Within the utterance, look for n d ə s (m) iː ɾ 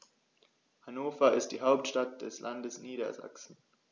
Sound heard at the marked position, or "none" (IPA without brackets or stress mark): n